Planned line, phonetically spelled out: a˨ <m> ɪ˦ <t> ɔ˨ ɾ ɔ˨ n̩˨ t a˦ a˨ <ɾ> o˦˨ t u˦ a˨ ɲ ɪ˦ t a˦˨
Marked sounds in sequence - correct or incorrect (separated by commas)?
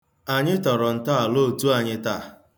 incorrect, correct, incorrect